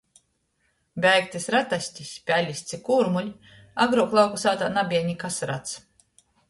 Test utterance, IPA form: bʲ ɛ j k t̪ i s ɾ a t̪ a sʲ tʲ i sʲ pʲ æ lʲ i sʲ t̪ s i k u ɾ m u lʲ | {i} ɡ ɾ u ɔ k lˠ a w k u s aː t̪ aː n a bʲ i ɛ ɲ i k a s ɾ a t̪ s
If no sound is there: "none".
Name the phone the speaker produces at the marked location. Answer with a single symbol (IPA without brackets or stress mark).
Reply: a